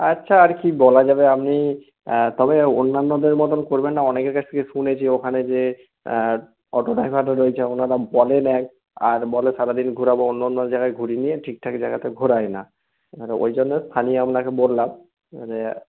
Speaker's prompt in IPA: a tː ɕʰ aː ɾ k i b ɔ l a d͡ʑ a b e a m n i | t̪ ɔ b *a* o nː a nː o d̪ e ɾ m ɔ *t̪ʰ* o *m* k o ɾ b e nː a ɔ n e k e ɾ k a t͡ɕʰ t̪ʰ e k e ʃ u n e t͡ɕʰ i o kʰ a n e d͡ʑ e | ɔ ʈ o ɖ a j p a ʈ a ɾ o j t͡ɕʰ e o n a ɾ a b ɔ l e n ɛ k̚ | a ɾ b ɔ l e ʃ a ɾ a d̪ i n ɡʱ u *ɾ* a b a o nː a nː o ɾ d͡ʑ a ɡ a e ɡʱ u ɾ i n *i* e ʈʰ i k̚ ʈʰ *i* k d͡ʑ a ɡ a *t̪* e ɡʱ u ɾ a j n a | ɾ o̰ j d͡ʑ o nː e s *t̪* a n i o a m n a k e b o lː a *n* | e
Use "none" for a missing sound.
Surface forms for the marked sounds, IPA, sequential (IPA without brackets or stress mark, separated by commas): e, t̪, n, ɾ, i, a, t̪, t̪ʰ, m